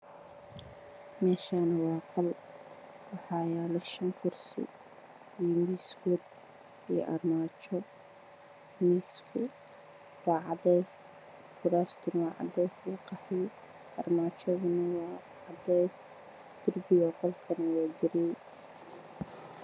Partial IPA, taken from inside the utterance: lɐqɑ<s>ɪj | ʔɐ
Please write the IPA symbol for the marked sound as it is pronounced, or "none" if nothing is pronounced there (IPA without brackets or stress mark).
ħ